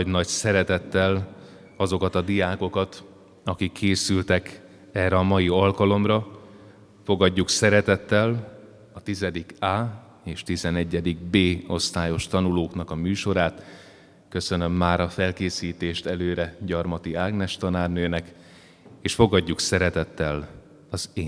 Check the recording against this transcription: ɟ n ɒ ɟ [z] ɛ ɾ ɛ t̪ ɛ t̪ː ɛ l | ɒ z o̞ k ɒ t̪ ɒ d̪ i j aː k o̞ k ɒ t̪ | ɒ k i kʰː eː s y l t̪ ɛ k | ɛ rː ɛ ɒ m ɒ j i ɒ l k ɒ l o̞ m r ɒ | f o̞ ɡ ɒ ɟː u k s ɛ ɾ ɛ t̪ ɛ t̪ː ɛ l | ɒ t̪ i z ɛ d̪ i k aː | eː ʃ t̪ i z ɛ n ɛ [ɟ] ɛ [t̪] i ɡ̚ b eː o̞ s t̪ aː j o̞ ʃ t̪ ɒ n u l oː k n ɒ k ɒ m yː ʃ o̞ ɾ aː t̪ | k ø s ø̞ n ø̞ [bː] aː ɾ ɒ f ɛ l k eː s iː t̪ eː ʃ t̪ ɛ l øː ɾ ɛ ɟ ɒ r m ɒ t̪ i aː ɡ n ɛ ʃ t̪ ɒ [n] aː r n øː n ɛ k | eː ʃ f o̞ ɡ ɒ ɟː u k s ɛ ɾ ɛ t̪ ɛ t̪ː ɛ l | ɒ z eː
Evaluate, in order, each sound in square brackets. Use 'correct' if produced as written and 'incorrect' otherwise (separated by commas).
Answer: incorrect, incorrect, incorrect, incorrect, correct